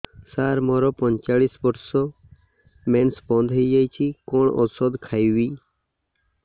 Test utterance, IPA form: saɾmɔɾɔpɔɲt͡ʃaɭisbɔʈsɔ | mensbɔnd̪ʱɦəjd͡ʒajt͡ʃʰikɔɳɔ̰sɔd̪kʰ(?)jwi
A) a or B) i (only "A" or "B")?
A